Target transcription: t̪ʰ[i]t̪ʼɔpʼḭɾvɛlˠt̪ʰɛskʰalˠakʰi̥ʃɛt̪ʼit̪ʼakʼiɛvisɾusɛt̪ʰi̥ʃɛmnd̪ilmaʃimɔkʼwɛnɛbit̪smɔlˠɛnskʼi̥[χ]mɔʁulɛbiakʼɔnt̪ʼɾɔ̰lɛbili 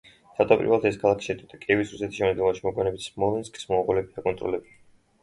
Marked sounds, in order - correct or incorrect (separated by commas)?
incorrect, incorrect